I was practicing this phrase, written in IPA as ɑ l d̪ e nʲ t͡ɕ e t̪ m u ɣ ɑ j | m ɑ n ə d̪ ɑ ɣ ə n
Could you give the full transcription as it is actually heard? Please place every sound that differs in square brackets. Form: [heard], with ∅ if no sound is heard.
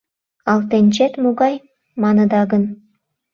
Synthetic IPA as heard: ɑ l [t̪] e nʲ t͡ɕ e t̪ m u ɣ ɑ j | m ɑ n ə d̪ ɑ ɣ ə n